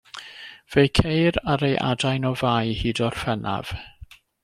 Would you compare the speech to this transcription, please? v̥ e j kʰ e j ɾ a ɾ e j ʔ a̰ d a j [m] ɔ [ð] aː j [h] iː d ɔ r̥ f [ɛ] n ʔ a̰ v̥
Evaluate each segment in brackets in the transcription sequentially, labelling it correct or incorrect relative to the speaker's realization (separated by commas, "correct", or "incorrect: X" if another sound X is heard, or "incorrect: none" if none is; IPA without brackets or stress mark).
incorrect: n, incorrect: v, correct, correct